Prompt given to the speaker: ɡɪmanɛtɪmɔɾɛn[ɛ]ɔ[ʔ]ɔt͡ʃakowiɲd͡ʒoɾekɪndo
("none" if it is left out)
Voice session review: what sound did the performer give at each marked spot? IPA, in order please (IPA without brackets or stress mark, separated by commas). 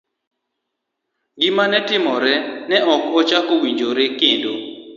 ɛ, k